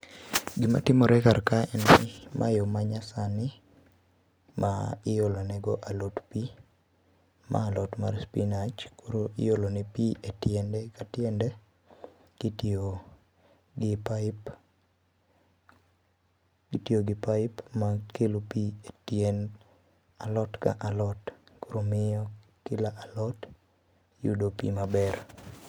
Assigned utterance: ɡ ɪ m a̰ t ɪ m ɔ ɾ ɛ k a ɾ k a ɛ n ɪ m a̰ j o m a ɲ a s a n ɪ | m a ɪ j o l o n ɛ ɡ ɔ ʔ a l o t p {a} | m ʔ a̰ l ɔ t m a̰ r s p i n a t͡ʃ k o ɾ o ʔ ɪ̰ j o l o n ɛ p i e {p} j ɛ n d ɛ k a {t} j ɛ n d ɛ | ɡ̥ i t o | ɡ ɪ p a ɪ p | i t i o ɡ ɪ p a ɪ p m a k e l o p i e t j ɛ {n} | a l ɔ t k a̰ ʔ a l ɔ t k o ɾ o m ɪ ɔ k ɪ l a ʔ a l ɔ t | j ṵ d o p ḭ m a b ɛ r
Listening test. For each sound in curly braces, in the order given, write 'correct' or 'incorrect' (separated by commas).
incorrect, incorrect, correct, correct